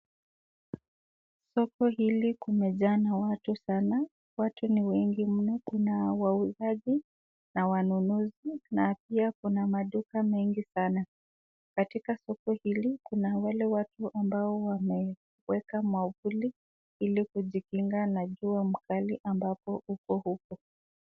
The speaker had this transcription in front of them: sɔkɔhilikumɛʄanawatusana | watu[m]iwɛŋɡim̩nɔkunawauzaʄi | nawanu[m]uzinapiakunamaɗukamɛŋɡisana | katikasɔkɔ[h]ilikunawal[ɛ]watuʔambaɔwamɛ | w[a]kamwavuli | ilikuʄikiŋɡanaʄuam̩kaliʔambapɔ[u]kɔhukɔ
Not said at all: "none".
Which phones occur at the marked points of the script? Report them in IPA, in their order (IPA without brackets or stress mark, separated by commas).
n, n, h, ɛ, ɛ, u